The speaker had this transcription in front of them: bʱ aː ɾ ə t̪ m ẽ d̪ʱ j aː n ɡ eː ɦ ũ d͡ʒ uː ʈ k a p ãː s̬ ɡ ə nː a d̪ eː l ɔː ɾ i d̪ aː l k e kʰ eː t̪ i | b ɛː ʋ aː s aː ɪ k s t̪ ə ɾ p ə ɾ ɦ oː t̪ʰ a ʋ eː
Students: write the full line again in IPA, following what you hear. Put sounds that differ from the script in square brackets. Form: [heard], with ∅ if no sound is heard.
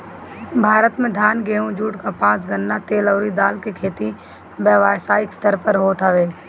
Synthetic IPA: bʱ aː ɾ ə t̪ m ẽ d̪ʱ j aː n ɡ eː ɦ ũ d͡ʒ uː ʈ k a p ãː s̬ ɡ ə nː a [t̪] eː l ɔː ɾ i d̪ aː l k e kʰ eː t̪ i | b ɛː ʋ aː s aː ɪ k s t̪ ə ɾ p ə ɾ ɦ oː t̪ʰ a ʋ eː